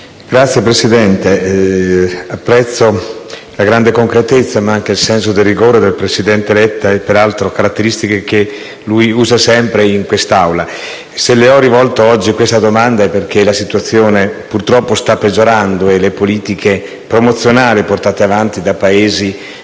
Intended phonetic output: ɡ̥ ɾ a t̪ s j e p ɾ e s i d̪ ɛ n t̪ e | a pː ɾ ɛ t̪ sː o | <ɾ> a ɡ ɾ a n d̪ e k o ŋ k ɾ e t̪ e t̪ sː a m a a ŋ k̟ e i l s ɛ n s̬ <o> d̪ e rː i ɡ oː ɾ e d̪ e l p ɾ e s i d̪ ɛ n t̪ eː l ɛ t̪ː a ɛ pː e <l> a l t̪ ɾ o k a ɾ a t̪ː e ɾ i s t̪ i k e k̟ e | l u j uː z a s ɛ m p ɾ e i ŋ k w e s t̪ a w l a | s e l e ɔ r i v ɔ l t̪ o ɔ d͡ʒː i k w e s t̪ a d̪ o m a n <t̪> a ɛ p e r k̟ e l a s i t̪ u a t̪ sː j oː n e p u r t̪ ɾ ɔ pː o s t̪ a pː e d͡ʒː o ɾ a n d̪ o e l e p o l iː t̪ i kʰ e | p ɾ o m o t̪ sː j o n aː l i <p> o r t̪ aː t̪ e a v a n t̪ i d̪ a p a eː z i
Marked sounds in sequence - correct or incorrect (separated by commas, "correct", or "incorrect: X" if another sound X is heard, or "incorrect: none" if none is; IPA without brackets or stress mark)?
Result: incorrect: l, correct, incorrect: ɾ, incorrect: d̪, correct